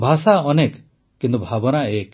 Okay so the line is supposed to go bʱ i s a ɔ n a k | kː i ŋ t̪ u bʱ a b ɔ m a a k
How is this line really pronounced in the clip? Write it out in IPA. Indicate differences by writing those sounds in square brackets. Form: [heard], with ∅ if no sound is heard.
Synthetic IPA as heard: bʱ [a] s a ɔ n [e] k | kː i [n] t̪ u bʱ a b ɔ [n] a [e] k